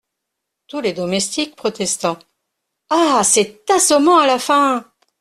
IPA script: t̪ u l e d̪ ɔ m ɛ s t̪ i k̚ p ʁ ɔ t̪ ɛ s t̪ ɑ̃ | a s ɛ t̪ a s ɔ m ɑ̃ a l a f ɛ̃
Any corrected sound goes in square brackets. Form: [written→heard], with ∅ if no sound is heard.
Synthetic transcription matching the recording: t̪ u l e d̪ ɔ m ɛ s t̪ i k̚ p [ʁ→χ] ɔ t̪ ɛ s t̪ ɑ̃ | a s ɛ t̪ a s ɔ m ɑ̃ a l a f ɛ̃